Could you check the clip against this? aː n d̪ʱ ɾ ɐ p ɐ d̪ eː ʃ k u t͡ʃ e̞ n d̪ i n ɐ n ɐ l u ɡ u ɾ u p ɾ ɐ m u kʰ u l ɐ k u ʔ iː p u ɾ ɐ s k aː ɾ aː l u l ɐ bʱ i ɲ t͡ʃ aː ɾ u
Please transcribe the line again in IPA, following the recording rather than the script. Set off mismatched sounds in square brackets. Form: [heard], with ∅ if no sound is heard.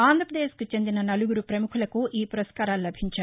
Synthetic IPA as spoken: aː n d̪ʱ ɾ ɐ p ɐ d̪ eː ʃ k u t͡ʃ e̞ n d̪ i n ɐ n ɐ l u ɡ u ɾ u p ɾ ɐ m u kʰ u l ɐ k u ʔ iː p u ɾ ɐ s k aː ɾ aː l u l ɐ bʱ i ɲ t͡ʃ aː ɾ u